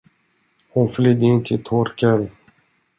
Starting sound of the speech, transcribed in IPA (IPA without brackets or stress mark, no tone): h